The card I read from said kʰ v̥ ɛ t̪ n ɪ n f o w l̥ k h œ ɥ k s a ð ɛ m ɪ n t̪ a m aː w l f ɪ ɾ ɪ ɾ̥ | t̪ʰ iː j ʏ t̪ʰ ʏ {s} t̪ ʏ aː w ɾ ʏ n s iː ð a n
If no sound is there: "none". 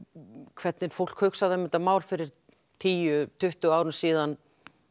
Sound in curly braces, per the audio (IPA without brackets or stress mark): h